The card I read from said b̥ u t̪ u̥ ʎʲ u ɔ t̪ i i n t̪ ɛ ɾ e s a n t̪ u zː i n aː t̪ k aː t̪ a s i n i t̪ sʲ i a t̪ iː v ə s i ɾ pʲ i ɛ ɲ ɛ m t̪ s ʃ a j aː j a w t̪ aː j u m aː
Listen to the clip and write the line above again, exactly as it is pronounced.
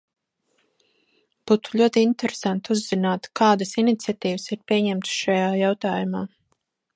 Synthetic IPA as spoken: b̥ u t̪ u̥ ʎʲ u ɔ t̪ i i n t̪ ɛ ɾ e s a n t̪ u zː i n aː t̪ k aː d̪ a s i n i t̪ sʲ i a t̪ iː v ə s i ɾ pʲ i ɛ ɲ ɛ m t̪ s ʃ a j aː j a w t̪ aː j u m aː